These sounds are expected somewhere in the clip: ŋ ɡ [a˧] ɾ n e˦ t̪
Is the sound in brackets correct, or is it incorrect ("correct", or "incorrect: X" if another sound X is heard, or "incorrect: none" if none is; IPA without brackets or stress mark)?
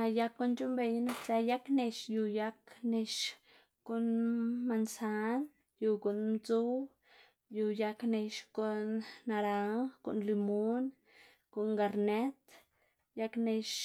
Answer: correct